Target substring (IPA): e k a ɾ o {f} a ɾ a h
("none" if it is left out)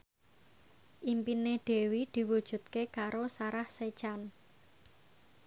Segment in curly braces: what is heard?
s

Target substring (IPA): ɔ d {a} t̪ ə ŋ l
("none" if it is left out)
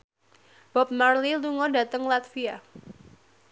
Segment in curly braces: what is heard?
a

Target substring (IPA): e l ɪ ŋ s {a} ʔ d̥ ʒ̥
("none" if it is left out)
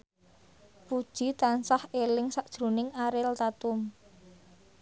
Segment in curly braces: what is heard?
a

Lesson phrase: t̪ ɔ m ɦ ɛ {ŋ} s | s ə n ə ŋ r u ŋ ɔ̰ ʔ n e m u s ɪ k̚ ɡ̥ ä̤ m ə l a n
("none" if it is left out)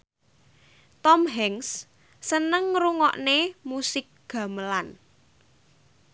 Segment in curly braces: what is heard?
ŋ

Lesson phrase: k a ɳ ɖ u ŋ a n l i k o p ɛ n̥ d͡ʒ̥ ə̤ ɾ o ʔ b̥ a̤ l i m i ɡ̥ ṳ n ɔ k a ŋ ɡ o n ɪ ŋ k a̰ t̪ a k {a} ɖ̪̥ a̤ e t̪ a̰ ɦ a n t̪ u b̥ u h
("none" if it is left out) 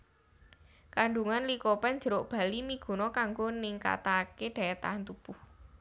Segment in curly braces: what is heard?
e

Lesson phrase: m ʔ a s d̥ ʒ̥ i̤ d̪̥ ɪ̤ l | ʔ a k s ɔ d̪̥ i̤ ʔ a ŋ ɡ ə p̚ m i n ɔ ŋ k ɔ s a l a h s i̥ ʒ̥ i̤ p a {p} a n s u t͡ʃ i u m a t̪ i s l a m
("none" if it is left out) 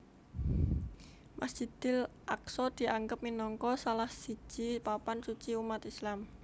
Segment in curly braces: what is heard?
p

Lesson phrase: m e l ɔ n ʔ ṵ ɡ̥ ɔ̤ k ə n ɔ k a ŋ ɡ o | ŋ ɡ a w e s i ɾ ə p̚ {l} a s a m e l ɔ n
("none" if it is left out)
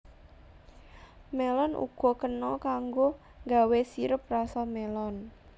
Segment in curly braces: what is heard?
r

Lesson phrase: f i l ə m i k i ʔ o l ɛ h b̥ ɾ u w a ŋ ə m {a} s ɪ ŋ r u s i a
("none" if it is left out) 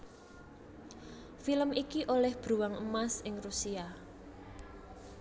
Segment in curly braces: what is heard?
a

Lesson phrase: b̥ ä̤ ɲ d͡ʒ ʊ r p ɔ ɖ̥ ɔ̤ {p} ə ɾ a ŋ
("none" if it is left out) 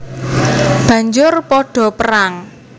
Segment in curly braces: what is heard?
p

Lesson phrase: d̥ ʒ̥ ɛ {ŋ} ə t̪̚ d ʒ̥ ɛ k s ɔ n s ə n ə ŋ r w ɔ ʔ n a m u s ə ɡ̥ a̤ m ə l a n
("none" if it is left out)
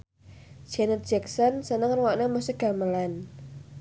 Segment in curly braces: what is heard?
n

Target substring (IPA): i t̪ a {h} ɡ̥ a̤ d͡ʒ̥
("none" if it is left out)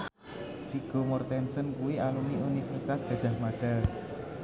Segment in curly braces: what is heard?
s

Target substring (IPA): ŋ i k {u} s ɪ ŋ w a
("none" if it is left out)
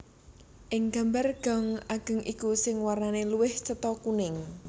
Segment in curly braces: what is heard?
u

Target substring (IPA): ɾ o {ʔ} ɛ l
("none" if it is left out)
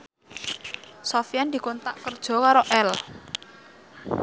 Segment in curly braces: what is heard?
ʔ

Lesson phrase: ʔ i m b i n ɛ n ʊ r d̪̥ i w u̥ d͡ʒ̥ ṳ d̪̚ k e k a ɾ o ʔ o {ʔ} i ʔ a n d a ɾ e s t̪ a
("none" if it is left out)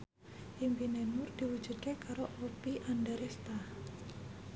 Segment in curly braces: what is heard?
p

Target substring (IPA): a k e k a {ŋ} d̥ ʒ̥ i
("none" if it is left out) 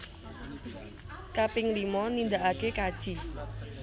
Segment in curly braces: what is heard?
none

